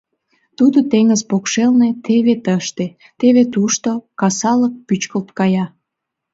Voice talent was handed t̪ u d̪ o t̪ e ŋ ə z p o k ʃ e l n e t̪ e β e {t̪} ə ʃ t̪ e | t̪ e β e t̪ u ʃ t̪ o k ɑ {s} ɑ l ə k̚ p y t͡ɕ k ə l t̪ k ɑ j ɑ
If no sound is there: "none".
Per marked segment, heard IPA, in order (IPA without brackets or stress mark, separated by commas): t̪, s